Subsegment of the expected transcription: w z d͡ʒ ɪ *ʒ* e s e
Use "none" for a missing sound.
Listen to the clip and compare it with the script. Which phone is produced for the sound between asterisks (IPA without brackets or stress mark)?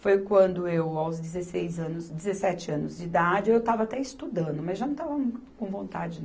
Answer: z